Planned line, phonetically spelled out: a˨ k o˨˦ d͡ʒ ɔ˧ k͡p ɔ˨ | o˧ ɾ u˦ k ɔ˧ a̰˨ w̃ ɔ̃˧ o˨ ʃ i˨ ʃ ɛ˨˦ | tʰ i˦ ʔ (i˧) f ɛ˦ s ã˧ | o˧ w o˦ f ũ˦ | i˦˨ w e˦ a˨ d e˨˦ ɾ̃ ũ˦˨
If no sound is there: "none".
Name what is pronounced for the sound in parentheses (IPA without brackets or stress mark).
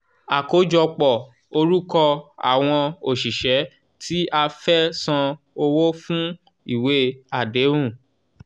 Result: a˧